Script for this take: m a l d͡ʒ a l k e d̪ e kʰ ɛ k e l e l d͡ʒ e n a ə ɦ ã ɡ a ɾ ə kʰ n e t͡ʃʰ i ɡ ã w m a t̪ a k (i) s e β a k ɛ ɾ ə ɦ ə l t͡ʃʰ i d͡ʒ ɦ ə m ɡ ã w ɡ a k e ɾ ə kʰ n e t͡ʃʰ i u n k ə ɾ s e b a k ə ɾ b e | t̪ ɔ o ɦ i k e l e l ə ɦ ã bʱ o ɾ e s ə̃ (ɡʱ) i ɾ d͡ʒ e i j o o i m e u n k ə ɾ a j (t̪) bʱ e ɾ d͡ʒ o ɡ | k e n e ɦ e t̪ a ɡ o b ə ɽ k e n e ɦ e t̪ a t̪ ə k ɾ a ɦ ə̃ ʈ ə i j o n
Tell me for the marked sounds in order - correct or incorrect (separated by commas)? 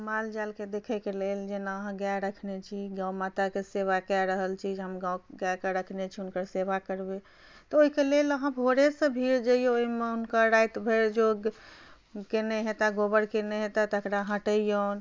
incorrect, incorrect, correct